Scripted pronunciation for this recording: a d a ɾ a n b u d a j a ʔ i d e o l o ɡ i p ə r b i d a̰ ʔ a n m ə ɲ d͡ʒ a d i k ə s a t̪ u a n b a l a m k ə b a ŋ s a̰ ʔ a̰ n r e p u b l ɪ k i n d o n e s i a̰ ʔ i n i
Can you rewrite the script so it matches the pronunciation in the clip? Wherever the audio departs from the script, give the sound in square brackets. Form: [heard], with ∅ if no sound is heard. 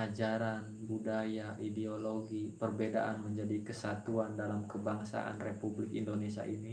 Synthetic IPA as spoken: a [d͡ʒ] a ɾ a n b u d a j a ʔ i d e o l o ɡ i p ə r b [e] d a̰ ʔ a n m ə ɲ d͡ʒ a d i k ə s a t̪ u a n [d] a l a m k ə b a ŋ s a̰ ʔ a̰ n r e p u b l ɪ k i n d o n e s i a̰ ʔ i n i

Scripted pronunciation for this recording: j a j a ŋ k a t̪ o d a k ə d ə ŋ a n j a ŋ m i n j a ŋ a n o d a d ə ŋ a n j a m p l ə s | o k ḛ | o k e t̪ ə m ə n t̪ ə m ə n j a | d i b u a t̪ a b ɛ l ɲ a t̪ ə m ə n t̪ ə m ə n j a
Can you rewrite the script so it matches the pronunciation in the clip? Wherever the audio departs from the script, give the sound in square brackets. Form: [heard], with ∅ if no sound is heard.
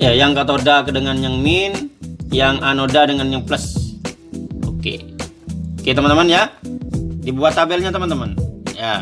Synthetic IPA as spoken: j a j a ŋ k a t̪ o d a k ə d ə ŋ a n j a ŋ m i n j a ŋ a n o d a d ə ŋ a n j a [ŋ] p l ə s | o k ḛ | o k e t̪ ə m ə n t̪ ə m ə n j a | d i b u a t̪ a b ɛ l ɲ a t̪ ə m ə n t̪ ə m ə n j a

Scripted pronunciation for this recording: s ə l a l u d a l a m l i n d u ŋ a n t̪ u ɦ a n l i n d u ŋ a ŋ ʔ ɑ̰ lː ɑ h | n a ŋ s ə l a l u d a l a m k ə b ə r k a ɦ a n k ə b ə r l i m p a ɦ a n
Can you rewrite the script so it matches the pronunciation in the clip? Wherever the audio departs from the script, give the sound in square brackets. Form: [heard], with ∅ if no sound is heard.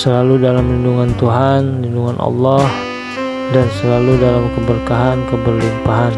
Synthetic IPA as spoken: s ə l a l u d a l a m l i n d u ŋ a n t̪ u ɦ a n l i n d u ŋ a [n] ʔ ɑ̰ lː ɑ h | [d] a [n] s ə l a l u d a l a m k ə b ə r k a ɦ a n k ə b ə r l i m p a ɦ a n

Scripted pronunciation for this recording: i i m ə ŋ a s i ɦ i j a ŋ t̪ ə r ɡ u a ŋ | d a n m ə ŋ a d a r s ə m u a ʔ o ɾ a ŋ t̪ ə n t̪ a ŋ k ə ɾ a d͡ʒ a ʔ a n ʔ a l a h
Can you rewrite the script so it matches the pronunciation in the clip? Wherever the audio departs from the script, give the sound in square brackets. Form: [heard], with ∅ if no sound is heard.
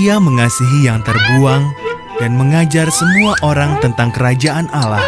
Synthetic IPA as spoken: i [a] m ə ŋ a s i ɦ i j a ŋ t̪ ə r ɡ u a ŋ | d a n m ə ŋ a [d͡ʒ] a r s ə m u a ʔ o ɾ a ŋ t̪ ə n t̪ a ŋ k ə ɾ a d͡ʒ a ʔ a n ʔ a l a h

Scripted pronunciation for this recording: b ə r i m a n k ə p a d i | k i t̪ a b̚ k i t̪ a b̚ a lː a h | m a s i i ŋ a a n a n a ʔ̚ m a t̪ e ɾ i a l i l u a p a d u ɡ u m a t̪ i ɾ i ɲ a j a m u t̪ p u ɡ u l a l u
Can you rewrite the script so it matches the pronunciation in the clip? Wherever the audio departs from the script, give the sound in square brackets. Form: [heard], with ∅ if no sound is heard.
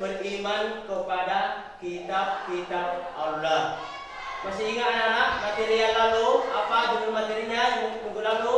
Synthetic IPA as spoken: b ə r i m a n k ə p a d [a] | k i t̪ a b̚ k i t̪ a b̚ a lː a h | m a s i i ŋ a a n a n a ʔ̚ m a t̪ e ɾ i a l [a] l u a p a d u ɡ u m a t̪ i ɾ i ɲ a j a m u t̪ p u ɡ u l a l u

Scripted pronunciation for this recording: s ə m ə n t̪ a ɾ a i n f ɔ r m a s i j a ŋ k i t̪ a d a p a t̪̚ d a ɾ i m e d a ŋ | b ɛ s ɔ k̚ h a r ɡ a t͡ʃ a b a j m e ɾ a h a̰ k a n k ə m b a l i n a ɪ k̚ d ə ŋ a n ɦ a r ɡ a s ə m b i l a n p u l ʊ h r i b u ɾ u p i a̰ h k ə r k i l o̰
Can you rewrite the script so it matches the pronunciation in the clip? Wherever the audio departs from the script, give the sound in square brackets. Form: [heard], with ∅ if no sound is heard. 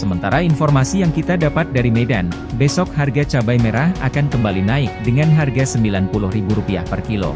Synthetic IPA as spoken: s ə m ə n t̪ a ɾ a i n f ɔ r m a s i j a ŋ k i t̪ a d a p a t̪̚ d a ɾ i m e d a [n] | b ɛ s ɔ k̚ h a r ɡ a t͡ʃ a b a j m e ɾ a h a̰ k a n k ə m b a l i n a ɪ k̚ d ə ŋ a n ɦ a r ɡ a s ə m b i l a n p u l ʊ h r i b u ɾ u p i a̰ h [p] ə r k i l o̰

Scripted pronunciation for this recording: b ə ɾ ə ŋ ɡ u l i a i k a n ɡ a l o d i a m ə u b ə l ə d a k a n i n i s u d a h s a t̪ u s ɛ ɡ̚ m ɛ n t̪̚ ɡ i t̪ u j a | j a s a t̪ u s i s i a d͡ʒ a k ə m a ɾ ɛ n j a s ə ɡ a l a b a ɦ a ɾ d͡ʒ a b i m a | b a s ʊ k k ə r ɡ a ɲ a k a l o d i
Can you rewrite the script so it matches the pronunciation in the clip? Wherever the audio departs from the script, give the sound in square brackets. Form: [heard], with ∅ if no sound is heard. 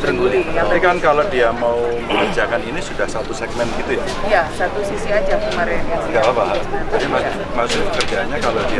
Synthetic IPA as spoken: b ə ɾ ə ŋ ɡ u l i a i k a n [k] a l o d i a m [a] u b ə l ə [d͡ʒ] a k a n i n i s u d a h s a t̪ u s ɛ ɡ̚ m ɛ n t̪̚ ɡ i t̪ u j a | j a s a t̪ u s i s i a d͡ʒ a k ə m a ɾ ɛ n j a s ə ɡ a l a b a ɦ a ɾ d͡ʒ a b i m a | [m] a s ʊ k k ə r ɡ a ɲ a k a l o d i

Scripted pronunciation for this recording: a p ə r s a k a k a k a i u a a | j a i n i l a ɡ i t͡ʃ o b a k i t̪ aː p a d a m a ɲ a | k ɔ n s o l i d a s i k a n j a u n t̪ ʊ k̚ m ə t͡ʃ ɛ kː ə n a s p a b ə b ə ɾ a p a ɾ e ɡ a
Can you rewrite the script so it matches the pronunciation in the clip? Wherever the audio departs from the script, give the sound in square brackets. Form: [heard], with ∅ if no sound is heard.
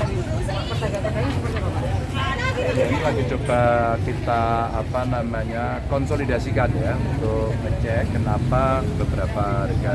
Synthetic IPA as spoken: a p ə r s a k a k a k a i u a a | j a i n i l a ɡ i t͡ʃ o b a k i t̪ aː p a [n] a m a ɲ a | k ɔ n s o l i d a s i k a n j a u n t̪ ʊ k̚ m ə t͡ʃ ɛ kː ə n a [∅] p a b ə b ə ɾ a p a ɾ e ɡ a

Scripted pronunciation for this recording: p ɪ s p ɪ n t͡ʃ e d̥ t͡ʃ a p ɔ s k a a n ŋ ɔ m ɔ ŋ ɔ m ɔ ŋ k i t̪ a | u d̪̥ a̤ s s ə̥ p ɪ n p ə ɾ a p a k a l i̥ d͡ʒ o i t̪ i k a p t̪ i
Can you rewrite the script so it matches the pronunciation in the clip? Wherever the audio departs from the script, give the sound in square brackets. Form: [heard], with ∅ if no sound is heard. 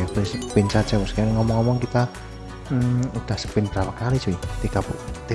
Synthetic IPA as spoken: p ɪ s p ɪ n t͡ʃ [a] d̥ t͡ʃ a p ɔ s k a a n ŋ ɔ m ɔ ŋ ɔ m ɔ ŋ k i t̪ a | u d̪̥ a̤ [h] s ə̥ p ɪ n [b] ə ɾ a p a k a l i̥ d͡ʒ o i t̪ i k a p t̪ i

